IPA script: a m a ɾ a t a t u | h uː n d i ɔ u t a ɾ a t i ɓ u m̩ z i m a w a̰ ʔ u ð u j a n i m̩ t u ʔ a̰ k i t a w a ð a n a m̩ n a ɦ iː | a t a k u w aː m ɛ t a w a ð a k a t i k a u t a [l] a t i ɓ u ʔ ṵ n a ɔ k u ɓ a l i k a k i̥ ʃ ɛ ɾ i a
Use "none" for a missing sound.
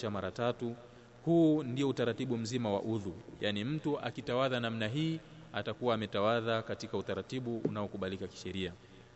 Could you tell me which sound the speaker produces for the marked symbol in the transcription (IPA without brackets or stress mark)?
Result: ɾ